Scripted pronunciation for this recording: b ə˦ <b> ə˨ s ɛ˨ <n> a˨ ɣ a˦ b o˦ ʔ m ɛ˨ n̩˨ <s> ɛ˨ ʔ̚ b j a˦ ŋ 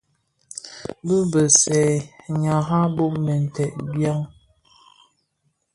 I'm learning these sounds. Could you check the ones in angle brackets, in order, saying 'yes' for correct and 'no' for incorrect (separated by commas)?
yes, no, no